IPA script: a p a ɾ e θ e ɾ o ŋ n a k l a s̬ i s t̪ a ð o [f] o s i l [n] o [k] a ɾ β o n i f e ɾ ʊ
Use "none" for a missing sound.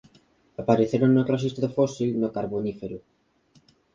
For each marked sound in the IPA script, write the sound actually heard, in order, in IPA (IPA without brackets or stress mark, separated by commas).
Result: f, n, k